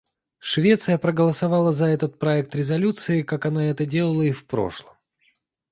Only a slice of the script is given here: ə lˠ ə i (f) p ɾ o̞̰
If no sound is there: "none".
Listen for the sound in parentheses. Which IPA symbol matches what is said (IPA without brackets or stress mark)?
f